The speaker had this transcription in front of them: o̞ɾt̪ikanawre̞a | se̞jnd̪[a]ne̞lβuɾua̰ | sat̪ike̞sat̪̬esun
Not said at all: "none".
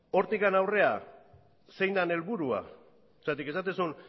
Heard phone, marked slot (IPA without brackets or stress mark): a